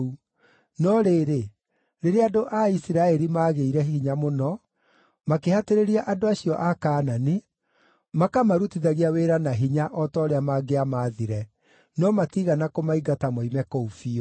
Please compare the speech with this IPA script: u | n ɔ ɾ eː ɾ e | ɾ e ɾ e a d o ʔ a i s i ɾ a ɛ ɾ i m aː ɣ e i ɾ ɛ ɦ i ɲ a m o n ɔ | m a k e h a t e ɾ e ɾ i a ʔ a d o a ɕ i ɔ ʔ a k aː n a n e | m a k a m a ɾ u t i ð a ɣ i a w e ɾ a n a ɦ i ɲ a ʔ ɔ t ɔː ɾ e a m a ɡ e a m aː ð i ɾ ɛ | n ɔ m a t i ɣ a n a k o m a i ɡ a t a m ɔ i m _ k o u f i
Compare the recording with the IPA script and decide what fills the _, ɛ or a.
ɛ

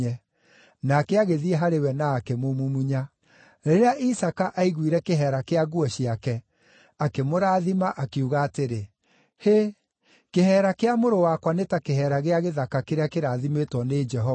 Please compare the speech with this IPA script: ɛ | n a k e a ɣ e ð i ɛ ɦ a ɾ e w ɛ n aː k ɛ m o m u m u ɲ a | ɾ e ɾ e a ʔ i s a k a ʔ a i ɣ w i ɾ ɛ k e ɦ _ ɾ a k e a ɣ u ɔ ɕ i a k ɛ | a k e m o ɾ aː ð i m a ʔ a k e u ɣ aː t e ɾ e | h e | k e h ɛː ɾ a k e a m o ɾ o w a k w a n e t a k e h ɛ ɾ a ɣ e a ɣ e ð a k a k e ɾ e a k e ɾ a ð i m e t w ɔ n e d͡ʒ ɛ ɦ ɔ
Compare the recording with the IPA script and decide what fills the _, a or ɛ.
ɛ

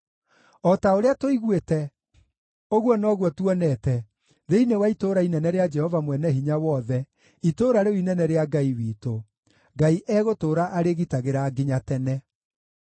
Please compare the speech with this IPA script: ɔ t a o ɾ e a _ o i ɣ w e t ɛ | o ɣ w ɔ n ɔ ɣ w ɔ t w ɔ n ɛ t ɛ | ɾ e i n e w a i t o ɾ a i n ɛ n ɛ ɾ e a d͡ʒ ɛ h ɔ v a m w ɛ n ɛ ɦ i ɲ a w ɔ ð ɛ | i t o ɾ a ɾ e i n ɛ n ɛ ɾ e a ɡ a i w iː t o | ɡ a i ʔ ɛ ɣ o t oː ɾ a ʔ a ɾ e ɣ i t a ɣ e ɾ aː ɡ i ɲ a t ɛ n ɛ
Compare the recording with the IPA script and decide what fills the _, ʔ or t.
t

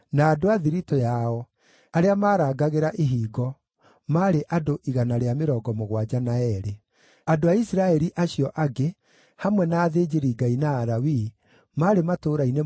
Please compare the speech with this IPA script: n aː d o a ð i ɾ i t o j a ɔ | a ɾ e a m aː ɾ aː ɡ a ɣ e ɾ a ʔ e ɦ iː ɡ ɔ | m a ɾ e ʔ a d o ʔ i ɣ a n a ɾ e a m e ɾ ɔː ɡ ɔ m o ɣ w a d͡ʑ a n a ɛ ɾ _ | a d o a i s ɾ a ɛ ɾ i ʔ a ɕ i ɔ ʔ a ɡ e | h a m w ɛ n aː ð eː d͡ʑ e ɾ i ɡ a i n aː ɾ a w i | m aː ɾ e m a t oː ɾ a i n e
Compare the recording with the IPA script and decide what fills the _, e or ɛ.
e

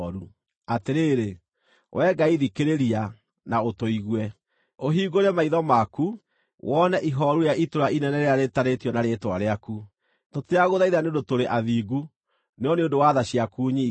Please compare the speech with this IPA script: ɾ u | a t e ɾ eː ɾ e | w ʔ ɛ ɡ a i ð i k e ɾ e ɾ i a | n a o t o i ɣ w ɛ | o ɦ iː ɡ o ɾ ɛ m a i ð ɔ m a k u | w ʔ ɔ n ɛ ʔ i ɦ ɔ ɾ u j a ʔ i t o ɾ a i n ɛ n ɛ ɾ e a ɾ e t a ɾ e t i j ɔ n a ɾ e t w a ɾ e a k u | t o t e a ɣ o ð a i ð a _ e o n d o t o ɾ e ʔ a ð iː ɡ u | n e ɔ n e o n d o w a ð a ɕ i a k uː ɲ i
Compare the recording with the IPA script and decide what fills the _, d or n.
n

